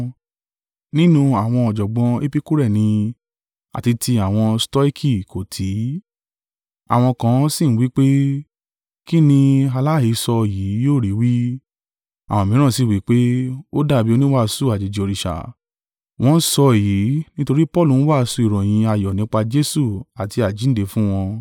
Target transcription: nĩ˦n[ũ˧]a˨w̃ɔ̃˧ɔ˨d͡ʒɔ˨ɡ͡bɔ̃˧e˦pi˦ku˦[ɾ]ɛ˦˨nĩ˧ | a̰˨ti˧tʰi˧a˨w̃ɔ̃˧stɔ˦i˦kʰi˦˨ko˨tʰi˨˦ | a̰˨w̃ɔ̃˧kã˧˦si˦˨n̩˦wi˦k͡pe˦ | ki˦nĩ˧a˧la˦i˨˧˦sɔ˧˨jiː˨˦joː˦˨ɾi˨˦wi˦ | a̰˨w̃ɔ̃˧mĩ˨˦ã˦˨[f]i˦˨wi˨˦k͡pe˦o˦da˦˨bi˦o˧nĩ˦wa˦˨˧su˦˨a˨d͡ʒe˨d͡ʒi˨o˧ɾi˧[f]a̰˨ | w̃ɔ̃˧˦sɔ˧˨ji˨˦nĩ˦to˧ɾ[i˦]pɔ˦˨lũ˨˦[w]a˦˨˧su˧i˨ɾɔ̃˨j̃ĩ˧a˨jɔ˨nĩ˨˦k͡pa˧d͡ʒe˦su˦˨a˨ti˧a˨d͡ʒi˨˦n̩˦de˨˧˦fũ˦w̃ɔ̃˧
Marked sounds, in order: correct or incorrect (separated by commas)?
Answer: correct, correct, incorrect, incorrect, correct, correct